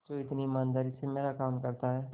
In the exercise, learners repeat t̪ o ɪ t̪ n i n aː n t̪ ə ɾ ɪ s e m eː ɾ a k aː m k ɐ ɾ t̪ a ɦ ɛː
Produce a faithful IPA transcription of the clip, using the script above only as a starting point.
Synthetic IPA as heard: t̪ o ɪ t̪ n i m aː n d̪ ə ɾ i s e m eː ɾ a k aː m k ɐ ɾ t̪ a ɦ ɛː